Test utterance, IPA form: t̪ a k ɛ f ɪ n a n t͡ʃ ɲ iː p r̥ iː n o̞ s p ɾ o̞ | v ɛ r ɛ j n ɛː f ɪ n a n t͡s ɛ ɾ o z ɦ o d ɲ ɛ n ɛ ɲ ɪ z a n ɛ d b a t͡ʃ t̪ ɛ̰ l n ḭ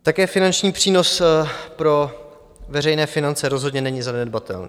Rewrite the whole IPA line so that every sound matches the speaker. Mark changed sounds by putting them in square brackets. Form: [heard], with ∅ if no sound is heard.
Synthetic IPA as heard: t̪ a k [ɛː] f ɪ n a n t͡ʃ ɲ iː p r̥ iː n o̞ s p ɾ o̞ | v ɛ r ɛ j n ɛː f ɪ n a n t͡s ɛ ɾ o z ɦ o d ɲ ɛ n ɛ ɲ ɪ z a n ɛ d b a [∅] t̪ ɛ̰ l n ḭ

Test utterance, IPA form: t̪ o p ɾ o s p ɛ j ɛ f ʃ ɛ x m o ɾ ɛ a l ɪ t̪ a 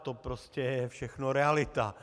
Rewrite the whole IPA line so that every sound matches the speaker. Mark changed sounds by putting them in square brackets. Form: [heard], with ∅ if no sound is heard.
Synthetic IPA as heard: t̪ o p ɾ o s [c] ɛ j ɛ f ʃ ɛ x [n] o ɾ ɛ a l ɪ t̪ a

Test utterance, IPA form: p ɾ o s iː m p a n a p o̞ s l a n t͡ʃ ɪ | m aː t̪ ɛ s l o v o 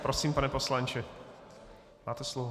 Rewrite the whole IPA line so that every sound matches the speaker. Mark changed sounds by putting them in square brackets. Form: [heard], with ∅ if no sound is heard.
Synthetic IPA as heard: p ɾ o s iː m p a n [ɛ] p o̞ s l a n t͡ʃ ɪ | m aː t̪ ɛ s l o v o

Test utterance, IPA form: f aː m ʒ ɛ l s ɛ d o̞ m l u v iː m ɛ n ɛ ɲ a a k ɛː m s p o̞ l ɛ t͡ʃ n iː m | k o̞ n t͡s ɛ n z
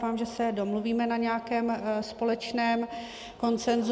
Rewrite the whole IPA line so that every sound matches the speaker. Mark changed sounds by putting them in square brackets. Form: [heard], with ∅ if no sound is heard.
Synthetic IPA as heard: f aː m ʒ ɛ [∅] s ɛ d o̞ m l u v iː m ɛ n [a] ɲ [ɛ] a k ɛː m s p o̞ l ɛ t͡ʃ n [ɛː] m | k o̞ n t͡s ɛ n z

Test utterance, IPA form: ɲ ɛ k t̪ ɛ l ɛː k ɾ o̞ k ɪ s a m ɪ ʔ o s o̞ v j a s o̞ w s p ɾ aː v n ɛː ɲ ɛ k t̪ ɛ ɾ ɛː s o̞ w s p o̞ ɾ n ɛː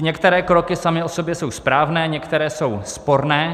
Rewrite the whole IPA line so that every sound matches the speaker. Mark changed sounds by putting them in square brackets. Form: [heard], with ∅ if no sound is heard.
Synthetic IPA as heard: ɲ ɛ k t̪ ɛ [ɾ] ɛː k ɾ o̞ k ɪ s a m ɪ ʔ o s o̞ [b] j [ɛ] s o̞ w s p ɾ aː v n ɛː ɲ ɛ k t̪ ɛ ɾ ɛː s o̞ w s p o̞ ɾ n ɛː

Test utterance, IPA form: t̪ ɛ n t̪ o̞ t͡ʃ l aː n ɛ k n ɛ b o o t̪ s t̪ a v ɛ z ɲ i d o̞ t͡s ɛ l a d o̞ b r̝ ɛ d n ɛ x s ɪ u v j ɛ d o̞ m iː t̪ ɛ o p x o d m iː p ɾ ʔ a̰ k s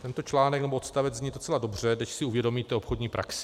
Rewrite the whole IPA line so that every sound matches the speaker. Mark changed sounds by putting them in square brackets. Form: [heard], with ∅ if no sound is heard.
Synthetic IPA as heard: t̪ ɛ n t̪ o̞ t͡ʃ l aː n ɛ k n ɛ b o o t̪ s t̪ a v ɛ z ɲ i d o̞ t͡s ɛ l a d o̞ b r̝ ɛ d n ɛ [ʃ] s ɪ u v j ɛ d o̞ m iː t̪ ɛ o p x o d [ɲ] iː p ɾ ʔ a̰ k s

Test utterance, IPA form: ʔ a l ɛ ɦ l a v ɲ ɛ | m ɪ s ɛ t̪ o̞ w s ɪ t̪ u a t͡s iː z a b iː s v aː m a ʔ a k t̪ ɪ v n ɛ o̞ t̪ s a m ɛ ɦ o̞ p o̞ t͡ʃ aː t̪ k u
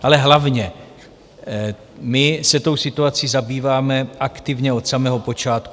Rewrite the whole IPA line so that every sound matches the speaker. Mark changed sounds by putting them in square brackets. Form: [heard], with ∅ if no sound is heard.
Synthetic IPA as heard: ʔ a l ɛ ɦ l a v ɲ ɛ | m ɪ s ɛ t̪ o̞ w s ɪ t̪ u a t͡s iː z a b iː [∅] v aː m [ɛ] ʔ a k t̪ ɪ v [ɲ] ɛ o̞ t̪ s a m ɛ ɦ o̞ p o̞ t͡ʃ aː t̪ k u

